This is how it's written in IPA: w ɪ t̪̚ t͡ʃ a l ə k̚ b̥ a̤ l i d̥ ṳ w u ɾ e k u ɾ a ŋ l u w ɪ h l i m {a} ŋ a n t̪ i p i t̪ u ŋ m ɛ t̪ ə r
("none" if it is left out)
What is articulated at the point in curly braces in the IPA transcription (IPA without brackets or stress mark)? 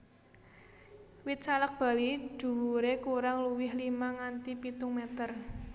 a